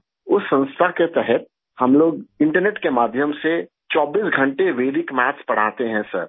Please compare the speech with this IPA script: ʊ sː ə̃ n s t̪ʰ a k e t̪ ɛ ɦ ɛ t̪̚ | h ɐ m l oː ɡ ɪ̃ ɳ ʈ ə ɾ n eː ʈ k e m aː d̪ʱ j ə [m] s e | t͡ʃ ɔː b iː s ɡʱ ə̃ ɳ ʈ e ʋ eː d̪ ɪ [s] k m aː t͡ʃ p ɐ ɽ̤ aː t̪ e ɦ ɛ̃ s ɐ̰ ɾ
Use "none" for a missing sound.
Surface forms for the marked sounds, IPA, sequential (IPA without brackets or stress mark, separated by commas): m, none